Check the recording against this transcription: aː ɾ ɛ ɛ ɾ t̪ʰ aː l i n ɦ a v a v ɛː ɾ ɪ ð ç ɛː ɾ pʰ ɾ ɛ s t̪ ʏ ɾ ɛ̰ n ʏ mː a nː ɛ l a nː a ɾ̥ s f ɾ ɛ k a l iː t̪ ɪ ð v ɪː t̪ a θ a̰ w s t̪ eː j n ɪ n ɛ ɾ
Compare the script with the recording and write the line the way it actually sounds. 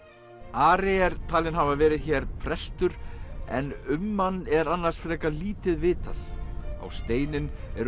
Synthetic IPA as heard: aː ɾ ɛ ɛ ɾ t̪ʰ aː l ɪ n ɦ a v a v ɛː ɾ ɪ ð ç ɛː ɾ pʰ ɾ ɛ s t̪ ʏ ɾ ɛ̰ n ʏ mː a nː ɛ ɾ a nː a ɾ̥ s f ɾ ɛ k a l iː t̪ ɪ ð v ɪː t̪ a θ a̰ w s t̪ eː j n ɪ n ɛ ɾ

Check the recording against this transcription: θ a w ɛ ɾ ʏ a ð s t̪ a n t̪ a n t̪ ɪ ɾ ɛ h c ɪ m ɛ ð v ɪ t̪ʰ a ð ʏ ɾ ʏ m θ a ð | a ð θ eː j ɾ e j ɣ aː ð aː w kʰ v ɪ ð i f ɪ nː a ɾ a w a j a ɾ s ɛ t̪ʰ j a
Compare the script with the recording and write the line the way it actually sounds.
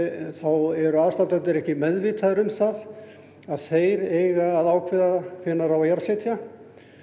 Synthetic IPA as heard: θ a w ɛ ɾ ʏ a ð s t̪ a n t̪ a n t̪ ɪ ɾ ɛ h c ɪ m ɛ ð v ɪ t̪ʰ a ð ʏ ɾ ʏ m θ a ð | a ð θ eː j ɾ e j ɣ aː ð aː w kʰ v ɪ ð a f ɪ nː a ɾ a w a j a ɾ s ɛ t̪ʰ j a

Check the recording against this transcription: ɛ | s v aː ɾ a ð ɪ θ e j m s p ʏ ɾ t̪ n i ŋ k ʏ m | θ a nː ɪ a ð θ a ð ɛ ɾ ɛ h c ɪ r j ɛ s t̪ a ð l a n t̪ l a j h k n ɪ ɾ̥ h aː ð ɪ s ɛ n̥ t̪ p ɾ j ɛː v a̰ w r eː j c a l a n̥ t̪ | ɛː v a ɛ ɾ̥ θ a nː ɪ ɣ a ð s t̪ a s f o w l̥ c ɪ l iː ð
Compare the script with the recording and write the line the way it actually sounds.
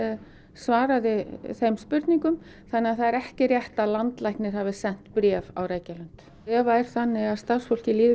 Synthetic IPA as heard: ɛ | s v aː ɾ a ð ɪ θ e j m s p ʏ ɾ t̪ n i ŋ k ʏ m | θ a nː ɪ a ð θ a ð ɛ ɾ ɛ h c ɪ r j ɛ h t̪ a ð l a n t̪ l a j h k n ɪ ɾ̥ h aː v ɪ s ɛ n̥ t̪ p ɾ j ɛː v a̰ w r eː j c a l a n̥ t̪ | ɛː v a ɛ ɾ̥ θ a nː ɪ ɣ a ð s t̪ a s f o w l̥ c ɪ l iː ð

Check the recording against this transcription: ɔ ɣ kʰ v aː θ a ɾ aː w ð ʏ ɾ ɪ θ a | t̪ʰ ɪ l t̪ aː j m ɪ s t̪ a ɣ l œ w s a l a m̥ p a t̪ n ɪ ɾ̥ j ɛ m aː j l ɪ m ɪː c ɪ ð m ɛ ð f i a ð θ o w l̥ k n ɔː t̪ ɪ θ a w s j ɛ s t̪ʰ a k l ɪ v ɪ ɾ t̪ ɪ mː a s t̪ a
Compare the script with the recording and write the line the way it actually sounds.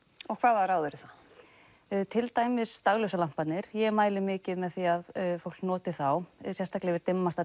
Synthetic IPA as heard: ɔ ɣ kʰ v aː ð a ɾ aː w ð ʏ ɾ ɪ θ a | t̪ʰ ɪ l t̪ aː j m ɪ s t̪ a ɣ l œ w s a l a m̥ p a t̪ n ɪ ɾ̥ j ɛ m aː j l ɪ m ɪː c ɪ ð m ɛ ð θ i a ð f o w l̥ k n ɔː t̪ ɪ θ a w s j ɛ s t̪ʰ a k l ɪ v ɪ ɾ t̪ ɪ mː a s t̪ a

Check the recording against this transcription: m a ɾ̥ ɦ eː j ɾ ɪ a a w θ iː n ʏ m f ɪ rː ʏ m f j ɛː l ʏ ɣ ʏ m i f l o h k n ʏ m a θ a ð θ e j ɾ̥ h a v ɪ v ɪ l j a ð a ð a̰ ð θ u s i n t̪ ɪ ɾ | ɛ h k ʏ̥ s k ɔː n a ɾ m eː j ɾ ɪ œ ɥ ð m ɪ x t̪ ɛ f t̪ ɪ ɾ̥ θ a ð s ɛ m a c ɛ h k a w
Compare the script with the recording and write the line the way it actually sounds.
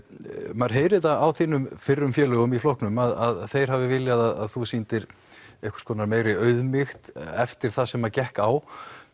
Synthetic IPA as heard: m a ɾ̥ ɦ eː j ɾ ɪ a a w θ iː n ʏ m f ɪ rː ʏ m f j ɛː l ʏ ɣ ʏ m i f l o h k n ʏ m a ð a ð θ e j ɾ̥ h a v ɪ v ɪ l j a ð a ð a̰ ð θ u s i n t̪ ɪ ɾ | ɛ h k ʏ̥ s k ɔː n a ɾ m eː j ɾ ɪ œ ɥ ð m ɪ x t̪ ɛ f t̪ ɪ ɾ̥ θ a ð s ɛ m a c ɛ h k a w

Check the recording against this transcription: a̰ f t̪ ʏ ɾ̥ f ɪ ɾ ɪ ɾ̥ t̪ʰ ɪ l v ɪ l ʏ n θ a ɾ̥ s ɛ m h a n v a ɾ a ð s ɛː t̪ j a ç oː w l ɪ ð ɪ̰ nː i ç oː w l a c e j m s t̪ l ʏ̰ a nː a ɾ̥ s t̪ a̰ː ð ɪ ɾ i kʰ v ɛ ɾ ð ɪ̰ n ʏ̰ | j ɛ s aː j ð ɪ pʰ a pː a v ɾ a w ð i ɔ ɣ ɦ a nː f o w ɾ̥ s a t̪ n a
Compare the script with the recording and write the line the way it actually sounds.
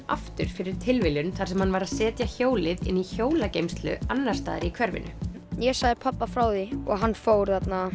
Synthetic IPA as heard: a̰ f t̪ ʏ ɾ̥ f ɪ ɾ ɪ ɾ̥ t̪ʰ ɪ l v ɪ l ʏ n θ a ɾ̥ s ɛ m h a n v a ɾ a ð s ɛː t̪ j a ç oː w l ɪ ð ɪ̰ nː i ç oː w l a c e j m s t̪ l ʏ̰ a nː a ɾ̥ s t̪ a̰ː ð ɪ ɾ i kʰ v ɛ ɾ v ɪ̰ n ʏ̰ | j ɛ s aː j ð ɪ pʰ a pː a f ɾ a w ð i ɔ ɣ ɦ a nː f o w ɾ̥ θ a t̪ n a

